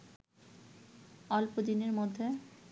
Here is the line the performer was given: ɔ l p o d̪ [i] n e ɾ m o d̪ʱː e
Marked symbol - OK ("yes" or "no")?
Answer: yes